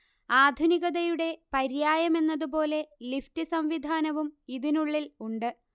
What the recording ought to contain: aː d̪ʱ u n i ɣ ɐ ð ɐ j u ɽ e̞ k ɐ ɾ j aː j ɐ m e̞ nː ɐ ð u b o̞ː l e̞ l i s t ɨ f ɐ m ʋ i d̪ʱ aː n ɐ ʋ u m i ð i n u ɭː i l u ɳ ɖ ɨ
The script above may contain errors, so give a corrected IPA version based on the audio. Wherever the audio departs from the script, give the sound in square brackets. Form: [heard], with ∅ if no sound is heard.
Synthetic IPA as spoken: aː d̪ʱ u n i ɣ ɐ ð ɐ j u ɽ e̞ [p] ɐ ɾ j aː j ɐ m e̞ nː ɐ ð u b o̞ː l e̞ l i [f] t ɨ [s] ɐ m ʋ i d̪ʱ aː n ɐ ʋ u m i ð i n u ɭː i l u ɳ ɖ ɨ